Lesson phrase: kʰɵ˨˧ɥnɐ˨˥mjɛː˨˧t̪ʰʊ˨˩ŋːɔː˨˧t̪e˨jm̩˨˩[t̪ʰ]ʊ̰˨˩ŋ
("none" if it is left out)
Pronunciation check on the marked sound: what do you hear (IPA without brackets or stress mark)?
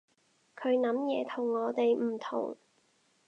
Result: t̪ʰ